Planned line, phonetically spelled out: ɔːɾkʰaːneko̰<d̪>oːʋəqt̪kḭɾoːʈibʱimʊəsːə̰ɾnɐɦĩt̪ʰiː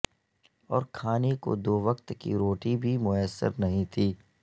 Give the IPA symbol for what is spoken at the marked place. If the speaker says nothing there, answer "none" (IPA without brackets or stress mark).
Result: d̪